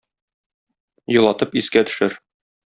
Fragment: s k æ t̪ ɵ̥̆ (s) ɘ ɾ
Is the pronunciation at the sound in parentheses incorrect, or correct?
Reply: incorrect